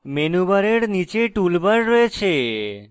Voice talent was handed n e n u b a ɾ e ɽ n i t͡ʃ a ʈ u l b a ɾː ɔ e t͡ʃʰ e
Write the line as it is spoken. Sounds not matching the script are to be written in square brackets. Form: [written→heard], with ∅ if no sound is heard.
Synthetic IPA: [n→m] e n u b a ɾ e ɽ n i t͡ʃ [a→e] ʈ u l b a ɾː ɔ e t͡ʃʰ e